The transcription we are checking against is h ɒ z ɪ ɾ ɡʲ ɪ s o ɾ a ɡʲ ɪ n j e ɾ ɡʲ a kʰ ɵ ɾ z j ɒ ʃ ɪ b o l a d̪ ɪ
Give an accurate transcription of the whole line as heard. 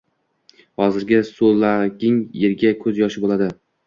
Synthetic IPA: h ɒ z ɪ ɾ ɡʲ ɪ s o l a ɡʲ ɪ ŋ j e ɾ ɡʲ a kʰ ɵ z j ɒ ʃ ɪ b o l a d̪ ɪ

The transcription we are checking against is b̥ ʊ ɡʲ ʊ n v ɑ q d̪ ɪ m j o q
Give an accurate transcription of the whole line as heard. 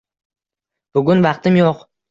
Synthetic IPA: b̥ ʊ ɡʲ ʊ n v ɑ q t̪ ɪ m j o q

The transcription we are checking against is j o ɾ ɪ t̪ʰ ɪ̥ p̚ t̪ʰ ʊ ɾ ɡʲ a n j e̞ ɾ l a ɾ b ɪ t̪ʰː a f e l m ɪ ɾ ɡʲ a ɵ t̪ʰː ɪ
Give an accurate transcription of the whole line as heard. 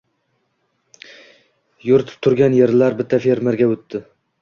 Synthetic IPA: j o ɾ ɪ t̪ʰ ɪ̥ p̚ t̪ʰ ʊ ɾ ɡʲ a n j e̞ ɾ l a ɾ b ɪ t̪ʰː a f e ɾ m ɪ ɾ ɡʲ a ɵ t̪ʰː ɪ

